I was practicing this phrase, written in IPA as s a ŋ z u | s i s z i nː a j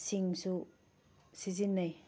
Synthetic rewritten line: s i ŋ s u | s i z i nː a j